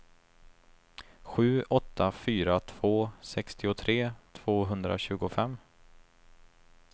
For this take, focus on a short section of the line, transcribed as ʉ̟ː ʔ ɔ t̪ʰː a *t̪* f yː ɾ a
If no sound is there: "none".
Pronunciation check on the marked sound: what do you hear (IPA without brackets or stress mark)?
none